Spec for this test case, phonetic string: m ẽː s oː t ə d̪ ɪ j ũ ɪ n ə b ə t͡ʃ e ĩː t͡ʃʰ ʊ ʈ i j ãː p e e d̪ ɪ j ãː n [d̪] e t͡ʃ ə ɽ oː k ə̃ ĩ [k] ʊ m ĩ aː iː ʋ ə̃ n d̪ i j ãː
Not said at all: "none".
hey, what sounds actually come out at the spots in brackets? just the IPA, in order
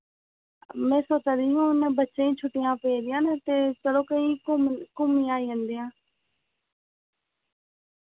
t̪, k

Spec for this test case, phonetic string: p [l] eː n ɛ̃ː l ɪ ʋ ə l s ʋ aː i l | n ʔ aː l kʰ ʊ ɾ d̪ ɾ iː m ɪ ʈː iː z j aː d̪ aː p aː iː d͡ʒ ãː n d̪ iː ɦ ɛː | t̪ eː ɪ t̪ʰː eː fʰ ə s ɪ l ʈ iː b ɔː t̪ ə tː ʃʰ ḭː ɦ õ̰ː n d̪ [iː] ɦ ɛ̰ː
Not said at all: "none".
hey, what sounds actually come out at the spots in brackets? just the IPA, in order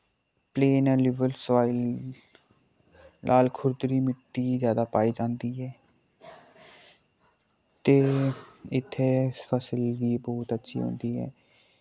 l, iː

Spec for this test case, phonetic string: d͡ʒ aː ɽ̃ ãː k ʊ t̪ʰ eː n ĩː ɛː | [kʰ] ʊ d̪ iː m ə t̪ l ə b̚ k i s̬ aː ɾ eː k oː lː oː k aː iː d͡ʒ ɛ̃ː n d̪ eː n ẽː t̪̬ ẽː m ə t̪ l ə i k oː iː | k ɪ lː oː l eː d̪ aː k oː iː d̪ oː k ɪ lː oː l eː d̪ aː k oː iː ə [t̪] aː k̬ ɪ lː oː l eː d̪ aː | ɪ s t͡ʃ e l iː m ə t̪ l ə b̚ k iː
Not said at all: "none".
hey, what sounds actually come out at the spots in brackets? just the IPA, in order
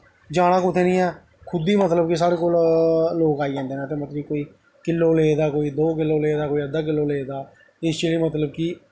kʰ, d̪

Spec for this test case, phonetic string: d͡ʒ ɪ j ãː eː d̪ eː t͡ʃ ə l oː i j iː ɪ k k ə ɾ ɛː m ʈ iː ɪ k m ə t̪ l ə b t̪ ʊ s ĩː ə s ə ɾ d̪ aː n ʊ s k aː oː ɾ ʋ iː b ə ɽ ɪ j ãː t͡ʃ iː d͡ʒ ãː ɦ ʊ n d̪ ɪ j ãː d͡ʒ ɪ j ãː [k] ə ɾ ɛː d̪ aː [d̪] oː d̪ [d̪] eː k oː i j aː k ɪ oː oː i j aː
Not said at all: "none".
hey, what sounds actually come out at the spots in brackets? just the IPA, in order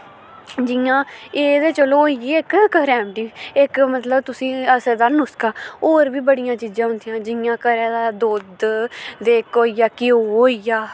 k, d̪, d̪

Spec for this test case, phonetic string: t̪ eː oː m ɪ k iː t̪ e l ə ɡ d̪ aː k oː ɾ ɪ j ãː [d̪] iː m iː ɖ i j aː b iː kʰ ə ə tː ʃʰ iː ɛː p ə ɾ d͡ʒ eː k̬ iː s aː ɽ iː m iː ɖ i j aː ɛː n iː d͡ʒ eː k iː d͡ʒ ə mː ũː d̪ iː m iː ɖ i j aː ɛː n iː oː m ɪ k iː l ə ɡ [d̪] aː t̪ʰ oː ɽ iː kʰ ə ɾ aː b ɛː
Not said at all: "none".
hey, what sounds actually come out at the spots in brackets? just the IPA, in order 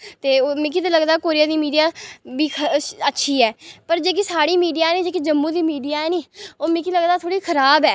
d̪, d̪

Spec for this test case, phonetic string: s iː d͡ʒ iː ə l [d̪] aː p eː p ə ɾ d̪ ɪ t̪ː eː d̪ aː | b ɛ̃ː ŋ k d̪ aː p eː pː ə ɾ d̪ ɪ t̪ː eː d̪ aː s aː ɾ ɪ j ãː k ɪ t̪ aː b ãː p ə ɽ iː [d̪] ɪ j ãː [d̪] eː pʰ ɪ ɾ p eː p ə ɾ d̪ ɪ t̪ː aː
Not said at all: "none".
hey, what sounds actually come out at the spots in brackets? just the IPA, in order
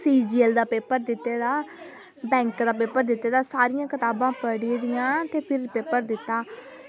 d̪, d̪, t̪

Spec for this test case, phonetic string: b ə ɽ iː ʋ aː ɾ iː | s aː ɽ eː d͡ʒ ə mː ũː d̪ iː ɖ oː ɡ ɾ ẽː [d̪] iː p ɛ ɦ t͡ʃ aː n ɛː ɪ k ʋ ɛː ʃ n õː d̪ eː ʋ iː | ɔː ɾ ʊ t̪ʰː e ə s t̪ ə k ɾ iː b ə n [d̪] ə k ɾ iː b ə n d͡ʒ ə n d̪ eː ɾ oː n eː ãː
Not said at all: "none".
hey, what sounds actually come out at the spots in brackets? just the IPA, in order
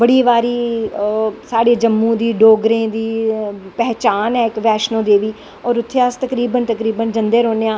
d̪, t̪

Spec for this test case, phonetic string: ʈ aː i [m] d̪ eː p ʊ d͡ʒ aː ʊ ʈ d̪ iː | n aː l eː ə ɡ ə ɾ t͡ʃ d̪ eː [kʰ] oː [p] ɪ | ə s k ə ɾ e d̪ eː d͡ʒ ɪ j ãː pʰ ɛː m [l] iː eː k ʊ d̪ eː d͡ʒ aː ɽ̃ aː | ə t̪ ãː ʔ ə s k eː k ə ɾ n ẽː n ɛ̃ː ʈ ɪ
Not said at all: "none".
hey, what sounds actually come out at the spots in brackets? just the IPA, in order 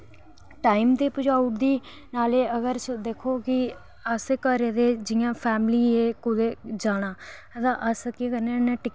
m, kʰ, k, l

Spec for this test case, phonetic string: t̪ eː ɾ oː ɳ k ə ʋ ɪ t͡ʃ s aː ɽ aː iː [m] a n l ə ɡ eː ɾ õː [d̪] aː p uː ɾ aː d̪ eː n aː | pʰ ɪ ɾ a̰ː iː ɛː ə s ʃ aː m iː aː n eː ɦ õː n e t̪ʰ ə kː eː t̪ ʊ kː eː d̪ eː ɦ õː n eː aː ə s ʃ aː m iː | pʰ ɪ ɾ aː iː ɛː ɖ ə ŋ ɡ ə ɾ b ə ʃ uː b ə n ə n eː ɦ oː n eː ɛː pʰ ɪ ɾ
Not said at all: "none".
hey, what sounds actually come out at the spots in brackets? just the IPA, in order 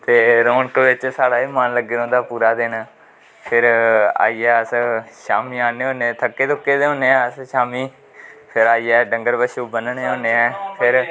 m, d̪

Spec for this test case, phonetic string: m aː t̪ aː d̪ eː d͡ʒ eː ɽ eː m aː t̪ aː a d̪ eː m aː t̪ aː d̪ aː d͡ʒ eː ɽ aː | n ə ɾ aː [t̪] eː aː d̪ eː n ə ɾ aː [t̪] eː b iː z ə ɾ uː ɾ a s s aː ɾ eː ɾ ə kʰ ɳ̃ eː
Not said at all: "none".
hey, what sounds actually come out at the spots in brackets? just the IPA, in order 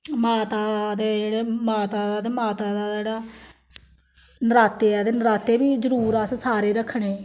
t̪, t̪

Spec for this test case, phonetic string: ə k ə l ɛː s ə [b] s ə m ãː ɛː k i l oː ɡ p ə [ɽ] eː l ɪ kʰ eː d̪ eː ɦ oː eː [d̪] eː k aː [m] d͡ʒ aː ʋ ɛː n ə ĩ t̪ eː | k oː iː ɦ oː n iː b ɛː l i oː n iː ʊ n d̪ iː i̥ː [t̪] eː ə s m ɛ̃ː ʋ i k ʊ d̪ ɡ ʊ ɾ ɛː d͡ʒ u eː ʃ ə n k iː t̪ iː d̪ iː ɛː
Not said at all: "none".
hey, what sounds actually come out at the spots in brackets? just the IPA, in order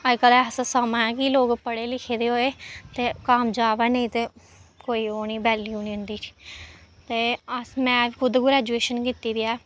none, ɽ, t̪, m, t̪

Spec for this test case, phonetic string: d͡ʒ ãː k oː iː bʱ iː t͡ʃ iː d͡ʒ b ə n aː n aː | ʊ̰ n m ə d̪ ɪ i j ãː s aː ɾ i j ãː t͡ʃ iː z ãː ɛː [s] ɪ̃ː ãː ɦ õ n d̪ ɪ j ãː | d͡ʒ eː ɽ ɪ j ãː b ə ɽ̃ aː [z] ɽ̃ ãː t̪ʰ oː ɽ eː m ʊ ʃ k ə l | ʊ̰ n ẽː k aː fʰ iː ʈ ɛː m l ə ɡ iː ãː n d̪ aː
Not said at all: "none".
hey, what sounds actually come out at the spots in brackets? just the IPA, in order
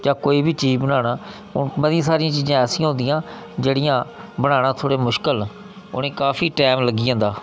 s, none

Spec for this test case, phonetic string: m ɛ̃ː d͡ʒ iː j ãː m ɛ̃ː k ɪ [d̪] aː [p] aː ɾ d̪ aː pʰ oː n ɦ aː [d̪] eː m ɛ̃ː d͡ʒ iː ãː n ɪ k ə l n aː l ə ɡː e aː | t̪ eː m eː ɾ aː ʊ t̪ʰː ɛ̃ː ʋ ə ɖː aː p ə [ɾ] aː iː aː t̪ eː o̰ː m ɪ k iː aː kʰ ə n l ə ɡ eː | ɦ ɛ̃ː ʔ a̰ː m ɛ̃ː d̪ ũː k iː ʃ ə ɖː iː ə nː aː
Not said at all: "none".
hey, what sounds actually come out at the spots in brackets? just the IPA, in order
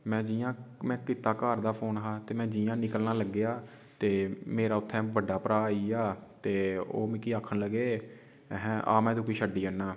t̪, k, t̪, ɾ

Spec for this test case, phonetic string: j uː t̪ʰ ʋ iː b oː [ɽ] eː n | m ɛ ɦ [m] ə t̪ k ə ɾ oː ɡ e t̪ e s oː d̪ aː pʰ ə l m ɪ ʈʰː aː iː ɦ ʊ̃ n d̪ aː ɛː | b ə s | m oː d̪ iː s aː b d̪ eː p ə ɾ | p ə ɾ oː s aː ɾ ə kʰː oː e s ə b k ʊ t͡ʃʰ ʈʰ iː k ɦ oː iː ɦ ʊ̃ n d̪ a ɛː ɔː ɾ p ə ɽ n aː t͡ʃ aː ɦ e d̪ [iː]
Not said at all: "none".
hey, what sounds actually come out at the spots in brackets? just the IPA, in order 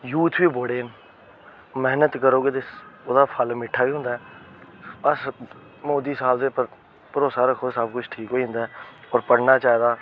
ɽ, n, aː

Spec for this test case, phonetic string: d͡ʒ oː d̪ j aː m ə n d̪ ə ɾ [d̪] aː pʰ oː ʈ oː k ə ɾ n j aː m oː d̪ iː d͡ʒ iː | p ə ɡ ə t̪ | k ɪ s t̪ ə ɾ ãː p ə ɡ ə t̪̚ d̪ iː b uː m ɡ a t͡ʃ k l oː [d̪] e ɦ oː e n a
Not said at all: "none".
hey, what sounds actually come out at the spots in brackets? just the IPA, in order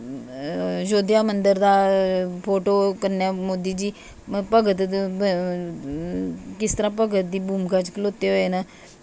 d̪, t̪

